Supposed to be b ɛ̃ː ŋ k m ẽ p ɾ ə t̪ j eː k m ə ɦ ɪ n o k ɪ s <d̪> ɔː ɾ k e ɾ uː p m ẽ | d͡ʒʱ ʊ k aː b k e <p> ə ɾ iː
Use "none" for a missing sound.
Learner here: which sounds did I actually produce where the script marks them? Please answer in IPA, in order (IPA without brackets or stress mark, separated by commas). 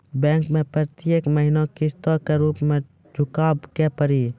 t̪, p